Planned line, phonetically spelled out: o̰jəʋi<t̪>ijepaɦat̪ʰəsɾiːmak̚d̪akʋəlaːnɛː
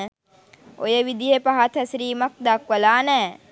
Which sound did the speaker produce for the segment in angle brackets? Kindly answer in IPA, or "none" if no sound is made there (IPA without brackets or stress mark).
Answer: d̪